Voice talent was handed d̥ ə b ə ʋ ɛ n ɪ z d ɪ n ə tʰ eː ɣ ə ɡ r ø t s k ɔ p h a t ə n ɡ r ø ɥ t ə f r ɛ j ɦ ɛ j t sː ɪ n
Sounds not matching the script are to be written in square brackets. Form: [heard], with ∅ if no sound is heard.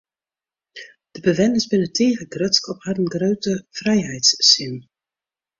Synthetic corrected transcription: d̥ ə b ə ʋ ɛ n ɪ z [b] ɪ n ə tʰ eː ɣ ə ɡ r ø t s k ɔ p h a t ə n ɡ r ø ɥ t ə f r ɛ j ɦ ɛ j t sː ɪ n